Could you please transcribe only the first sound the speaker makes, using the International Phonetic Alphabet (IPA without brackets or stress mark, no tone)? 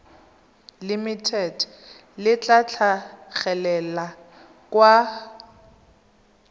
l